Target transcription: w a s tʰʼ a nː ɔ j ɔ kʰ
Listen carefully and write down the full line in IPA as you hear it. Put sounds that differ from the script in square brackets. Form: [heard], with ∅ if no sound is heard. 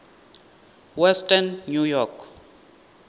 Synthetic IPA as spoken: w [ɛ] s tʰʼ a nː [u] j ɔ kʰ